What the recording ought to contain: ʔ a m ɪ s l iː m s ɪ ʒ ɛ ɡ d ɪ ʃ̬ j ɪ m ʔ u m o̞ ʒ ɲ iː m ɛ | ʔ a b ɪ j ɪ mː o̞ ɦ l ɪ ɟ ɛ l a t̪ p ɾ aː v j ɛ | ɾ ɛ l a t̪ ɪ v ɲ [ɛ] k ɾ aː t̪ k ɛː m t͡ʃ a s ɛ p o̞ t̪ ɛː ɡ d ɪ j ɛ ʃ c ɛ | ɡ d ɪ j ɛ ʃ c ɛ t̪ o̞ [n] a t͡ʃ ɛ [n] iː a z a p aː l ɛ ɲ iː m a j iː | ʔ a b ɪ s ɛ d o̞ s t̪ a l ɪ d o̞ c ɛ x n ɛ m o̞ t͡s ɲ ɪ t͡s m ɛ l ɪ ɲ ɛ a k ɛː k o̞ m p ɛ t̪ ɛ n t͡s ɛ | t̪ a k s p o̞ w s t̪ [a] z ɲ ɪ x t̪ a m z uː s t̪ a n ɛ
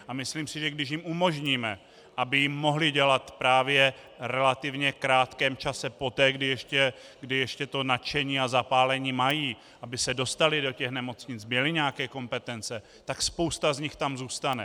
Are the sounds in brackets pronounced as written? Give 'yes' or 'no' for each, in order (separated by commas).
yes, yes, no, yes